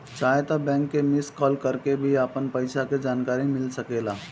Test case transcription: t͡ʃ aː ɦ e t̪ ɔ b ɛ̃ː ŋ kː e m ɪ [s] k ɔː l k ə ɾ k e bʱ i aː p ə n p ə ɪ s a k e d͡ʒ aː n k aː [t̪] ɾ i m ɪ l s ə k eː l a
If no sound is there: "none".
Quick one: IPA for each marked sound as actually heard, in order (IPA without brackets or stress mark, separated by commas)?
s, none